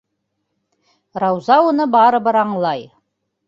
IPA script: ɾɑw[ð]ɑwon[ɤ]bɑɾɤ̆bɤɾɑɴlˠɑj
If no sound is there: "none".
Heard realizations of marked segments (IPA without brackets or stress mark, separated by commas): z, ɤ